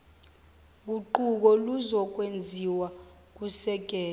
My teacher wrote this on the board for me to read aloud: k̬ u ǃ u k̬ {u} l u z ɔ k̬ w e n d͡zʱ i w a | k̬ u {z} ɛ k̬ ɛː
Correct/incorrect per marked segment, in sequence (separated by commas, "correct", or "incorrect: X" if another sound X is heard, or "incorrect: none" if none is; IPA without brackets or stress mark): incorrect: ɔ, incorrect: s